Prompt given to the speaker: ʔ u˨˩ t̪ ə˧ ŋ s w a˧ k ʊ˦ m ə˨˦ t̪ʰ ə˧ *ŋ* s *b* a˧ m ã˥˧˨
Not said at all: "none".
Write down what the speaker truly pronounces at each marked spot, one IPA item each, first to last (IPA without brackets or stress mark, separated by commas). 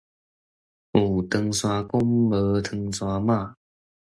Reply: ŋ, w